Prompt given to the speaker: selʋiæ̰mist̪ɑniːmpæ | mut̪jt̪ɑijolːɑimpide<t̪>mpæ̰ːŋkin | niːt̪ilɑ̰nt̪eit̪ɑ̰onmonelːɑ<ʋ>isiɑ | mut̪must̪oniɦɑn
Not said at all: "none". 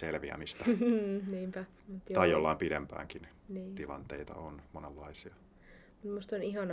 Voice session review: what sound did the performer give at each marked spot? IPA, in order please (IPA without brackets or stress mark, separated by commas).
none, none